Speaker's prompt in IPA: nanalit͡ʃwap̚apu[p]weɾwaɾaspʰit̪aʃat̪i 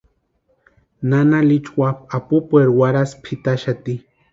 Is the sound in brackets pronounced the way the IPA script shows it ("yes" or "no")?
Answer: yes